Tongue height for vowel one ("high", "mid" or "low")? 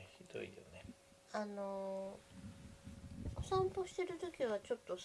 high